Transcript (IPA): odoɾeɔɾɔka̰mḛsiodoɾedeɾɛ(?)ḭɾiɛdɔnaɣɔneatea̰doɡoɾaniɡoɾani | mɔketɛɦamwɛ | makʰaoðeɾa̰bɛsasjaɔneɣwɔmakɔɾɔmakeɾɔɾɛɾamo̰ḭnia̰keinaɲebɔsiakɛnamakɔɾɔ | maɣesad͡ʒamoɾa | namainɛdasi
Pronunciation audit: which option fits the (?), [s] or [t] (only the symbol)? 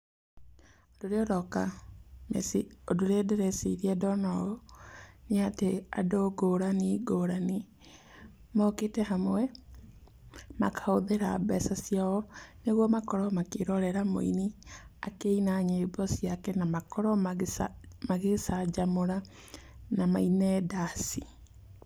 s